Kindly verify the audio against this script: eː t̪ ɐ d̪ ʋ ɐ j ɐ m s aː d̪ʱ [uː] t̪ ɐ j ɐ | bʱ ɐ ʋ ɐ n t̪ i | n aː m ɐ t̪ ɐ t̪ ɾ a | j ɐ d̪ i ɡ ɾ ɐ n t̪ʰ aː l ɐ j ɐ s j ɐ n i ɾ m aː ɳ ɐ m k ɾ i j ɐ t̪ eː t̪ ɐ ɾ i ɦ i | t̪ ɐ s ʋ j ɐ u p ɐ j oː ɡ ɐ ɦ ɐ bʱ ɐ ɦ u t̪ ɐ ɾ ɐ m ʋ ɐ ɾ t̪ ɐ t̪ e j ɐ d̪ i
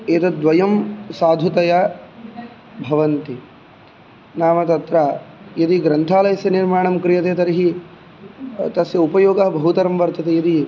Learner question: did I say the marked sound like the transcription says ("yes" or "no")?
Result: no